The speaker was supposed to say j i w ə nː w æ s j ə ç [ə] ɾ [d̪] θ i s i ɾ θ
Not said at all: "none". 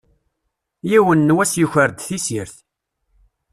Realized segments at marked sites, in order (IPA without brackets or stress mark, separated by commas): ə, d̪